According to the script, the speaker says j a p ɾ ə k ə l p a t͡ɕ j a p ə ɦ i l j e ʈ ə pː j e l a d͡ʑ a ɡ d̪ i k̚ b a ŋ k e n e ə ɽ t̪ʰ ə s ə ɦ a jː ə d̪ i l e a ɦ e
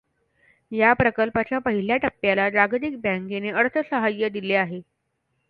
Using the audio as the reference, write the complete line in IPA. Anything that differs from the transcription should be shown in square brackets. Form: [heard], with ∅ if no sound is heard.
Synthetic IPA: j a p ɾ ə k ə l p a t͡ɕ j a p ə ɦ i l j [a] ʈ ə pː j [a] l a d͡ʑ a ɡ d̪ i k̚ b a ŋ k e n e ə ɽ t̪ʰ ə s ə ɦ a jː ə d̪ i l e a ɦ e